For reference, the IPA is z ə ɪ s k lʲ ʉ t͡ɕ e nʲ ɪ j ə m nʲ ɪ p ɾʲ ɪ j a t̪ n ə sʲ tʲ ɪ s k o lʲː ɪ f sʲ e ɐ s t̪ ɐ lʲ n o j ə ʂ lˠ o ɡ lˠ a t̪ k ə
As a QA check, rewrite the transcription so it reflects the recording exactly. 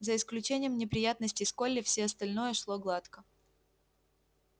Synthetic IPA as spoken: z ə ɪ s k lʲ ʉ t͡ɕ e nʲ ɪ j ə m nʲ ɪ p ɾʲ ɪ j a t̪ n ə sʲ tʲ ɪ s k o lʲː ɪ f sʲ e ɐ s t̪ ɐ lʲ n o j ə ʂ lˠ o ɡ lˠ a t̪ k ə